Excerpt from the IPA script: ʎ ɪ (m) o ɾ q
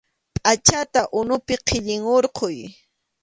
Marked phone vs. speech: incorrect: ŋ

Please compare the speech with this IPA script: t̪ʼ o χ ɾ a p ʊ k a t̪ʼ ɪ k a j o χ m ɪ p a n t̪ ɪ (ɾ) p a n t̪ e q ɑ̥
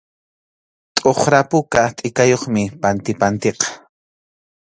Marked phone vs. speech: incorrect: none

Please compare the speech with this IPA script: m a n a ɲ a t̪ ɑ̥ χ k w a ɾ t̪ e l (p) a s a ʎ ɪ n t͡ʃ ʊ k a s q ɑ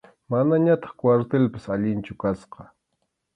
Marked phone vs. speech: correct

